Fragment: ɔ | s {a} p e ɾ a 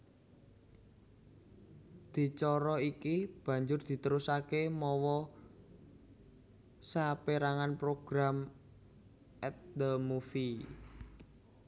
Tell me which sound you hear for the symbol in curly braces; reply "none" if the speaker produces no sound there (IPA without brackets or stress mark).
a